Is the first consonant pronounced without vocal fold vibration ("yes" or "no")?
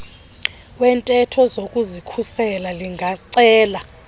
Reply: no